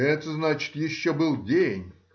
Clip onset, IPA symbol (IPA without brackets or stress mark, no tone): ɛ